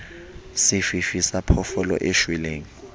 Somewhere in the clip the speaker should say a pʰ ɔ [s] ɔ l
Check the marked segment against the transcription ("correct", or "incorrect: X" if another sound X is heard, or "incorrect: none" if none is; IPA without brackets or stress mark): incorrect: f